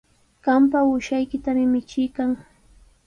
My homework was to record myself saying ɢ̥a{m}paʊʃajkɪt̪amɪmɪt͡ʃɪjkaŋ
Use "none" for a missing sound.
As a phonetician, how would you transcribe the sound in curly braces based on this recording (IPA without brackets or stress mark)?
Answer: m